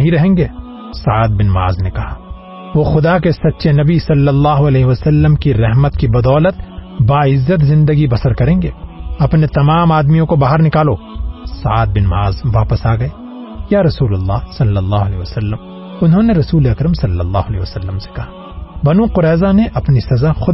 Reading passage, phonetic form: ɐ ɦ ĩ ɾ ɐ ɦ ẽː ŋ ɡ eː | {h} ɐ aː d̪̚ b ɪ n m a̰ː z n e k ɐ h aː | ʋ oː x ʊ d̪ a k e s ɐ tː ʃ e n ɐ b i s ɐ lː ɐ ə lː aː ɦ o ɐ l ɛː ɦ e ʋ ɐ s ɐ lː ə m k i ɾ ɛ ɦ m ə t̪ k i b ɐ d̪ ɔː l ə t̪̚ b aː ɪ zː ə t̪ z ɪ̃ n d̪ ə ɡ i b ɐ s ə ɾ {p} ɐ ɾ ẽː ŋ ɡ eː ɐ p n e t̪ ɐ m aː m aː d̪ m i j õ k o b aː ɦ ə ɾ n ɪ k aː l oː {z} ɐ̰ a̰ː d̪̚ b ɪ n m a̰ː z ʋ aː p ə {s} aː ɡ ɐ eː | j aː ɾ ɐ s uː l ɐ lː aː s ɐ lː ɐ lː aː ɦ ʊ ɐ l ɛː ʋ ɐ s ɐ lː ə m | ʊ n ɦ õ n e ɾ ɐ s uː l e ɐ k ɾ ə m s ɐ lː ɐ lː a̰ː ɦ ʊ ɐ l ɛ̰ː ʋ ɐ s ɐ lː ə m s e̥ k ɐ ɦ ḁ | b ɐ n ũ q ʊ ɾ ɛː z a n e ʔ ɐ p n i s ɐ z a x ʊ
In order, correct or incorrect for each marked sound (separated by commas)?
incorrect, incorrect, incorrect, correct